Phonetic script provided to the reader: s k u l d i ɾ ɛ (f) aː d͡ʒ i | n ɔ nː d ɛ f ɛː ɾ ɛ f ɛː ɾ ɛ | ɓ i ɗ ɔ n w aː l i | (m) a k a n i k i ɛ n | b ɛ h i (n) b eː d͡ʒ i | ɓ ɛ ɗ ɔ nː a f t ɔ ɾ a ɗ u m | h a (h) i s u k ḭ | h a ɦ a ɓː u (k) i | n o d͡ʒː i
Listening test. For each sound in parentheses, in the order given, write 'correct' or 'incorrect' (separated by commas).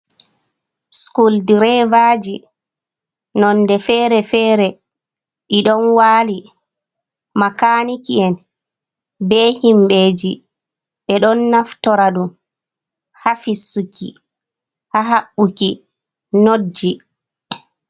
incorrect, correct, incorrect, incorrect, correct